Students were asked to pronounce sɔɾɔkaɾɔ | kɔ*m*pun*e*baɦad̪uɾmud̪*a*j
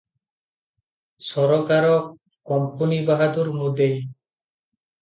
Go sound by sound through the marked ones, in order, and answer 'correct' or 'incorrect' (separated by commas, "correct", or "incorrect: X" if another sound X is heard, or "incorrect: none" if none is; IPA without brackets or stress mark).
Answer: correct, incorrect: i, incorrect: e